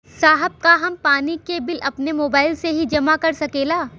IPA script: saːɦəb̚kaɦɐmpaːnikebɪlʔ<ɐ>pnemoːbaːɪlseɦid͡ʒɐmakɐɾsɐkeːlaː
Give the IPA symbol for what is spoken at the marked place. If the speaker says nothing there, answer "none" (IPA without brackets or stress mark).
ɐ